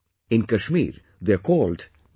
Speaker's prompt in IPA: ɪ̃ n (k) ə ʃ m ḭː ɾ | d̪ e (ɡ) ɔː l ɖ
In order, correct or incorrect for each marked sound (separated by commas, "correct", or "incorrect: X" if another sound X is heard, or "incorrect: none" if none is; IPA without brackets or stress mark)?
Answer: correct, incorrect: k